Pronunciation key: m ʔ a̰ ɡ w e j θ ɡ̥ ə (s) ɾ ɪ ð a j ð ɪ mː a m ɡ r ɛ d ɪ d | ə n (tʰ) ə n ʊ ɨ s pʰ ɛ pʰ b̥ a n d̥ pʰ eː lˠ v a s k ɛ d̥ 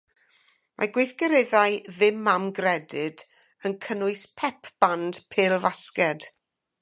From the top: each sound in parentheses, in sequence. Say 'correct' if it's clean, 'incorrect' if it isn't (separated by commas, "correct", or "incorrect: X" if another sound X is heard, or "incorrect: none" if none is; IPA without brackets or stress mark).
incorrect: none, incorrect: kʰ